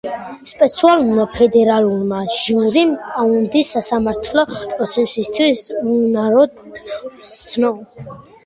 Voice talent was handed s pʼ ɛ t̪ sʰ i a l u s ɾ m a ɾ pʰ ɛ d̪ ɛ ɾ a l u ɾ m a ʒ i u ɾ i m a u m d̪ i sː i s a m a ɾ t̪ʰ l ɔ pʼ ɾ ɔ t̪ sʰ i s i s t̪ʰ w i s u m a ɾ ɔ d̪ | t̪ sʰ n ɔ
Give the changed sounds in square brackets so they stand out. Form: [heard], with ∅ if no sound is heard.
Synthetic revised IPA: s pʼ ɛ t̪ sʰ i a l u [∅] ɾ m a [∅] pʰ ɛ d̪ ɛ ɾ a l u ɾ m a ʒ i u ɾ i m a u [n] d̪ i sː [a] s a m a ɾ t̪ʰ l ɔ pʼ ɾ ɔ t̪ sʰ [ɛ] s i s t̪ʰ w i s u [n] a ɾ ɔ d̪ | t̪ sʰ n ɔ